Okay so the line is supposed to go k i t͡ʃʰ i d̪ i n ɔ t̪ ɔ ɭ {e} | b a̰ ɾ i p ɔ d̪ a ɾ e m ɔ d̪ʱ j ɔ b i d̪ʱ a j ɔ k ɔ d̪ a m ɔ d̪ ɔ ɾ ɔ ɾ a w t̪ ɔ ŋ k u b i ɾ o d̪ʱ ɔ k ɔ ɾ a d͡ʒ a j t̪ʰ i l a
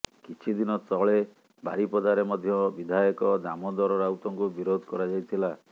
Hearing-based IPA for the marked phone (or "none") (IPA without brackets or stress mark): e